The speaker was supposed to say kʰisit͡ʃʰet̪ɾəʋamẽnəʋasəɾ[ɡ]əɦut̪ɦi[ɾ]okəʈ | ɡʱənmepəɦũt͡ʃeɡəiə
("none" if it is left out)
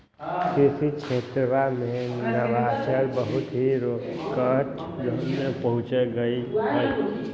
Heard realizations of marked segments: b, ɾ

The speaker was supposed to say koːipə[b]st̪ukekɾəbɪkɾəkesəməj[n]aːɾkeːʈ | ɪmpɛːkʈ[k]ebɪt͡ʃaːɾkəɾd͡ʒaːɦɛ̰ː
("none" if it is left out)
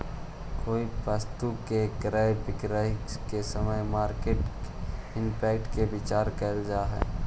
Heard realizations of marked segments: none, m, k

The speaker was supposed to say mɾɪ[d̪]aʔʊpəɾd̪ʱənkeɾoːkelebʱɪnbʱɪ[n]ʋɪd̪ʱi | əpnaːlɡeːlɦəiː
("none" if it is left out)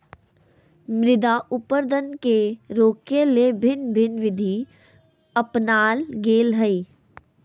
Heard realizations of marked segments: d̪, n

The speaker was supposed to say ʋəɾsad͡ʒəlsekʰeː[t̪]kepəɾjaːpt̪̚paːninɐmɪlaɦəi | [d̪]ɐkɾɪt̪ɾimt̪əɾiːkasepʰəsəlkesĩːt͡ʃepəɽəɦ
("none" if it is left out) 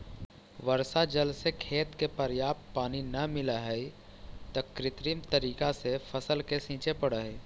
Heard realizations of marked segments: t̪, t̪

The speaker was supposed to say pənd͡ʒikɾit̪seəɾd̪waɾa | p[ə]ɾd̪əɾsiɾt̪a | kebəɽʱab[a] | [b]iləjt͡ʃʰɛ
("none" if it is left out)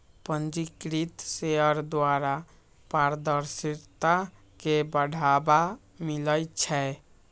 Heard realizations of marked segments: a, a, m

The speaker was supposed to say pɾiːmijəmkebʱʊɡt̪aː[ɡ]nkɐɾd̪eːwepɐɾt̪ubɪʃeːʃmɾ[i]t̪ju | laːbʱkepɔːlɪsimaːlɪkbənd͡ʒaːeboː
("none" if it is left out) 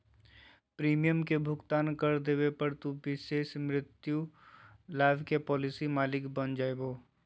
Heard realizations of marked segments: none, ɪ

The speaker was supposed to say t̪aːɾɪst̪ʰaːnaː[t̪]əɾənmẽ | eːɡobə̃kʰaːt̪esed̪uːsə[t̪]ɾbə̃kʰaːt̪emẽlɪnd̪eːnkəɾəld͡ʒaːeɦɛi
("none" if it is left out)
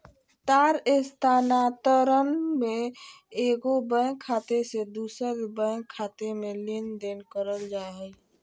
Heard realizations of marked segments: t̪, none

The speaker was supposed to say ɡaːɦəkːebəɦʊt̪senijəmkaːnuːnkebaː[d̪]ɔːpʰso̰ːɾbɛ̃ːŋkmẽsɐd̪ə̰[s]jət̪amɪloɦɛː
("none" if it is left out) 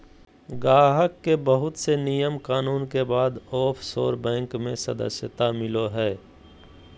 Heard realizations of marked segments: d̪, s

